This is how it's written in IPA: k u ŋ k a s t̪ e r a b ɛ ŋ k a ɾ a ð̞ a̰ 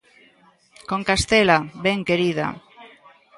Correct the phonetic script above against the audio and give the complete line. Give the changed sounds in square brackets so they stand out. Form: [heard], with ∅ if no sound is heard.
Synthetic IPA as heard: k [o] ŋ k a s t̪ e [l] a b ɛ ŋ k [e] ɾ [i] ð̞ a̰